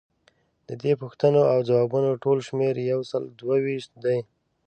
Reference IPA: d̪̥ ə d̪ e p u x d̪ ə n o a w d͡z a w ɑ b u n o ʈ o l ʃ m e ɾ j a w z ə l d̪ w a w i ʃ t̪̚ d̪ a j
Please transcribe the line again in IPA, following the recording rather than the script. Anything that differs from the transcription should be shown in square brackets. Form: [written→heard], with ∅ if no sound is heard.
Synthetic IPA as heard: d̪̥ ə d̪ e p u x [d̪→t̪] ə n o a w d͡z a w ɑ b u n o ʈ o l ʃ m e ɾ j a w [z→s] ə l d̪ w a w i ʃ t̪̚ d̪ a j